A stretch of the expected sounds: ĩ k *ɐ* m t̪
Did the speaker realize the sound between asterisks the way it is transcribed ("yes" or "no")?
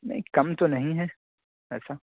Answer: yes